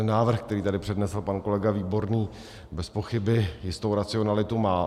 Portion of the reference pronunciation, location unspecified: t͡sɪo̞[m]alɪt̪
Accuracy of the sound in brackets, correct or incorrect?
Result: incorrect